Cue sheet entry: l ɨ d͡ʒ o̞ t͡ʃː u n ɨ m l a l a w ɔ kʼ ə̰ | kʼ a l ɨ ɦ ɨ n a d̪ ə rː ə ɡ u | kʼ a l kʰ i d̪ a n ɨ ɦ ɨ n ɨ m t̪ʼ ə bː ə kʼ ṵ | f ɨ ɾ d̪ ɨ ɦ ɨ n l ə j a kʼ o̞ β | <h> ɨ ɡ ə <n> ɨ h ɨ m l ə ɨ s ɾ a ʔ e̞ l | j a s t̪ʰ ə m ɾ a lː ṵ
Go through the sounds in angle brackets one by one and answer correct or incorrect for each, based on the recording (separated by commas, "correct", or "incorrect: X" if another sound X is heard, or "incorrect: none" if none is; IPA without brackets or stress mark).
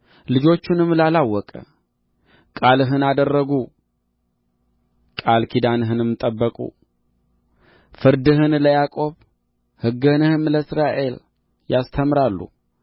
correct, correct